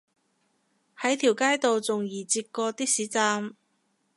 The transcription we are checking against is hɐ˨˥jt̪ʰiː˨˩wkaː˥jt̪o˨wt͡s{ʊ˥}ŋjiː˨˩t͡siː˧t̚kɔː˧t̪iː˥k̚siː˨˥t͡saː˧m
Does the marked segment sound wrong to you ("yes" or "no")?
yes